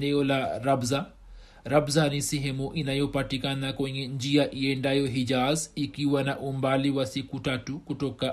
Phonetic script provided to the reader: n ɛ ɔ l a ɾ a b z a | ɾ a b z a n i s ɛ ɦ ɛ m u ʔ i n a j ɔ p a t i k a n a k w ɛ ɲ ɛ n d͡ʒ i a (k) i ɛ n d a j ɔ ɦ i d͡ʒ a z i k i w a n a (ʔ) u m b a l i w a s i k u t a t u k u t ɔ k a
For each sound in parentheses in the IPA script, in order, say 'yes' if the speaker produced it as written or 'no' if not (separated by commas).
no, yes